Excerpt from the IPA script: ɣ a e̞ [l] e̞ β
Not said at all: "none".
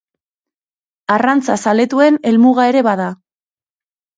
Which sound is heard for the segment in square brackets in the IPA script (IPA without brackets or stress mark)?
ɾ